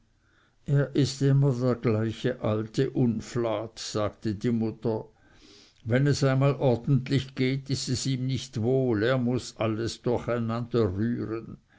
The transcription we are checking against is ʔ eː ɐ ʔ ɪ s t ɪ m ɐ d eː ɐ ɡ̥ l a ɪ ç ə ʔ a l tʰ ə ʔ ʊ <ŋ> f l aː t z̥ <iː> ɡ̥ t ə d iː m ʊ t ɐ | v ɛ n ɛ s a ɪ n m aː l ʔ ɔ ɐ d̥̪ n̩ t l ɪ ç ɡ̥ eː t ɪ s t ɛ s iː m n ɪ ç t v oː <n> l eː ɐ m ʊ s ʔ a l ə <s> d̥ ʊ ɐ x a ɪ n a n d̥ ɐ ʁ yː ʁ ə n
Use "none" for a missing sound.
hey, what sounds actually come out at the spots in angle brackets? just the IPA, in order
n, aː, none, s

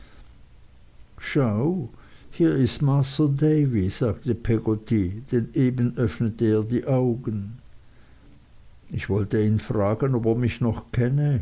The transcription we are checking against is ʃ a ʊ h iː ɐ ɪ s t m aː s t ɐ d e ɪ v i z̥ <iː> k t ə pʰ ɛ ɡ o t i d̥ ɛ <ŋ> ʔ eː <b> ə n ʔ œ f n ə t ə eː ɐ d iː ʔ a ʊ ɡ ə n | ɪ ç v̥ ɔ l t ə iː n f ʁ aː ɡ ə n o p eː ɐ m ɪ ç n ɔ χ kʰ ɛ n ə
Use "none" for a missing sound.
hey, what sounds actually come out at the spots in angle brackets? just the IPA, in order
aː, n, b

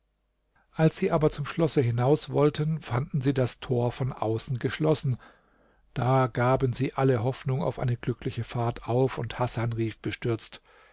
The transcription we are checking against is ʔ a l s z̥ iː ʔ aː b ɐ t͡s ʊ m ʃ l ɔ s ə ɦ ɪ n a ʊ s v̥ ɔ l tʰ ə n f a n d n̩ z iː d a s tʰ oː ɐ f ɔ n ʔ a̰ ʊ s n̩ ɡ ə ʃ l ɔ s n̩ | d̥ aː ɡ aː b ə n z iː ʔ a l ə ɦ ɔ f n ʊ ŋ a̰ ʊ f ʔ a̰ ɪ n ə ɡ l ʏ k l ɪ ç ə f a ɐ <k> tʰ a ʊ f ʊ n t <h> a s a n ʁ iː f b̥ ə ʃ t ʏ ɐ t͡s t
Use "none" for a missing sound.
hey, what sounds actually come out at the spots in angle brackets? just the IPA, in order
none, h

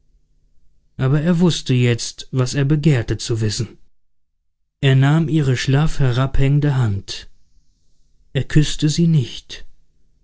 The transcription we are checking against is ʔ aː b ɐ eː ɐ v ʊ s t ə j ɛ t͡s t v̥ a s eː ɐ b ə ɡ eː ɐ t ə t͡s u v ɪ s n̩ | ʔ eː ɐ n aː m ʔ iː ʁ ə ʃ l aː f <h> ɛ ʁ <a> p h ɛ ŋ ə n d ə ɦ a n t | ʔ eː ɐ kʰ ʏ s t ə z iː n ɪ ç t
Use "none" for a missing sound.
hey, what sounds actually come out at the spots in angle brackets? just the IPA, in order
h, a

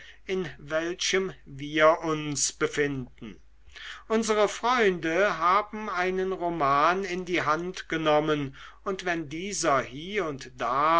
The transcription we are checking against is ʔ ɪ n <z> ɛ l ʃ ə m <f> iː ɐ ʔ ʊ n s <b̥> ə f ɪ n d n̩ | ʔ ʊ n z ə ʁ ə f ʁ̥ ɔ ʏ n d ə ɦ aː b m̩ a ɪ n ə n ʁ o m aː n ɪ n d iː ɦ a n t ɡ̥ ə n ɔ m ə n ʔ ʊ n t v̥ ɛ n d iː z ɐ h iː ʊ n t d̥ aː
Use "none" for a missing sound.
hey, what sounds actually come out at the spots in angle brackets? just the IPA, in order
v, v, b̥

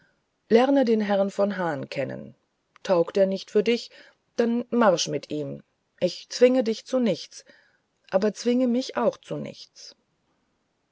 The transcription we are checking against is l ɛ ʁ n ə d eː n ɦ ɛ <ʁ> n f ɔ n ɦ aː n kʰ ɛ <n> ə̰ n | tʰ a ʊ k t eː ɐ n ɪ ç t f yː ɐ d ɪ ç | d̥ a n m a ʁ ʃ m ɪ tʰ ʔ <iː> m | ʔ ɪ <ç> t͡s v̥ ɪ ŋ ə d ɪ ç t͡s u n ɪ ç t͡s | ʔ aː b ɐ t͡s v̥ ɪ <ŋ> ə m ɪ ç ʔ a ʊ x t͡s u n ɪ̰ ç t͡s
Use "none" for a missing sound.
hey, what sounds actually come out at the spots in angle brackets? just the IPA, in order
ʁ, n, iː, ç, ŋ

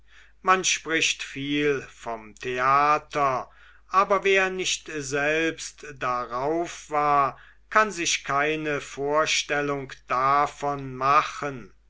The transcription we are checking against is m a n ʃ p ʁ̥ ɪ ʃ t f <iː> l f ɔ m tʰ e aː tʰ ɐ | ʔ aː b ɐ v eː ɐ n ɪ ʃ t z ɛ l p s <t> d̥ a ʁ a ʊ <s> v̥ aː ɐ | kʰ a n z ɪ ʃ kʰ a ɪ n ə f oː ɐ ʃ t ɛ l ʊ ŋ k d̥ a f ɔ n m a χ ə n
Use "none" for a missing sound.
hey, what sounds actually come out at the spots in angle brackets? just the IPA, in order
iː, t, f

